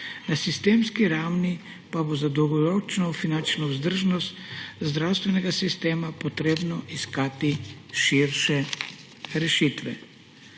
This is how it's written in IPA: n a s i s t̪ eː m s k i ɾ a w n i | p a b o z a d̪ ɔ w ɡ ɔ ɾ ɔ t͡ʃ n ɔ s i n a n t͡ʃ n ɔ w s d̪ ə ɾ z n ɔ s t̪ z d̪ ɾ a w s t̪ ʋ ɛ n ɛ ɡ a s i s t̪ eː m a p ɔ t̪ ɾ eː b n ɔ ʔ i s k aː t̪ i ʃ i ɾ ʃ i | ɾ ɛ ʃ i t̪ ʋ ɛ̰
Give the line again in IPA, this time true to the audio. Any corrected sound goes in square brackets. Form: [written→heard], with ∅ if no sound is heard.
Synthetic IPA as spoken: n a s i s t̪ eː m s k i ɾ a w n i | p a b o z a d̪ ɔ w ɡ ɔ ɾ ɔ t͡ʃ n ɔ [s→f] i n a n t͡ʃ n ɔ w [s→z] d̪ ə ɾ [z→ʒ] n ɔ s t̪ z d̪ ɾ a w s t̪ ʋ ɛ n ɛ ɡ a s i s t̪ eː m a p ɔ t̪ ɾ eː b n ɔ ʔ i s k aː t̪ i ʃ i ɾ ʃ [i→ɛ] | ɾ ɛ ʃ i t̪ ʋ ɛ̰